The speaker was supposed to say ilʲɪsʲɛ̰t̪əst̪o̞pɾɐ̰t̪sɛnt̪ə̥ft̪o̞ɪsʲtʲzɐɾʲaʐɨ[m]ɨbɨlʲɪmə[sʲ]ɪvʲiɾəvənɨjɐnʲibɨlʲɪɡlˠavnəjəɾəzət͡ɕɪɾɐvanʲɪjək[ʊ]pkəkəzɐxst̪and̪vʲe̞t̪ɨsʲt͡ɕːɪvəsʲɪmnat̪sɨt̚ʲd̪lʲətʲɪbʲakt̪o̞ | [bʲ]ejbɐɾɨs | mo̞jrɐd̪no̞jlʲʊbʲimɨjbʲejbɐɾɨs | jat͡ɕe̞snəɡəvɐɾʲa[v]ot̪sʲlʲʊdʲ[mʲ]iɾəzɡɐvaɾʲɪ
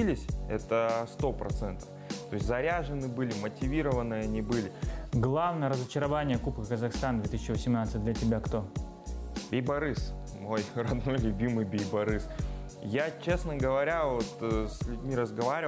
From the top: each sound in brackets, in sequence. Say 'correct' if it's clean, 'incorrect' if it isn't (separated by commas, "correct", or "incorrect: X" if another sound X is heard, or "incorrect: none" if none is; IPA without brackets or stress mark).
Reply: incorrect: n, incorrect: tʲ, incorrect: u, correct, correct, correct